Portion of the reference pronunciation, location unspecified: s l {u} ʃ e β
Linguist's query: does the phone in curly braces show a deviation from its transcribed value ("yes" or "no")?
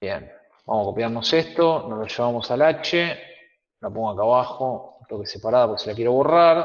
yes